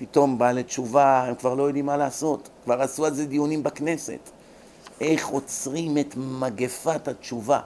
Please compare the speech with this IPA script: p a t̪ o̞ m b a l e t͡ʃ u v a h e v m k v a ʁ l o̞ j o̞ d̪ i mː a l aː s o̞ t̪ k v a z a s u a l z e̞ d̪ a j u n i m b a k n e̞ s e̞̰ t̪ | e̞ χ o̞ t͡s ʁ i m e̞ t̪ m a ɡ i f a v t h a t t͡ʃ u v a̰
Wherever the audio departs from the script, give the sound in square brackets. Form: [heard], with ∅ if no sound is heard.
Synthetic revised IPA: p [i] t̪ o̞ m b a l e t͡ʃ u v a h e [∅] m k v a ʁ l o̞ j o̞ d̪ i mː a l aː s o̞ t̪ k v a [ʁ] a s u a l z e̞ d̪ [i] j u n i m b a k n e̞ s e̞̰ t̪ | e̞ χ o̞ t͡s ʁ i m e̞ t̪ m a ɡ [e] f a [∅] t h a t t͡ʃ u v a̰